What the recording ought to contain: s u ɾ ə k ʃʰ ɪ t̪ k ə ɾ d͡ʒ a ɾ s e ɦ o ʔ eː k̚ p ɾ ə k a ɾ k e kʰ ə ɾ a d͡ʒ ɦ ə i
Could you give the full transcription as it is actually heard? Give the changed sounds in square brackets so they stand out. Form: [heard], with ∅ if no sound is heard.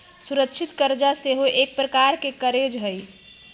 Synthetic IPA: s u ɾ ə k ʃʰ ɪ t̪ k ə ɾ d͡ʒ a [∅] s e ɦ o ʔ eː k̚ p ɾ ə k a ɾ k e [k] ə ɾ [e] d͡ʒ ɦ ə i